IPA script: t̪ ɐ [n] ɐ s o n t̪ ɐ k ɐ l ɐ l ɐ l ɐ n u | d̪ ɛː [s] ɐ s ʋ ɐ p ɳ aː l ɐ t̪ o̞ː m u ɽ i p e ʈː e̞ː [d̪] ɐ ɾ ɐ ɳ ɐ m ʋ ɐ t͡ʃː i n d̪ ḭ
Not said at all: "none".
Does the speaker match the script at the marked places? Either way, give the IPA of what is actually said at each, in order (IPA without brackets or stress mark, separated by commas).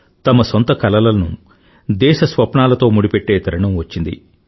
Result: m, ʃ, t̪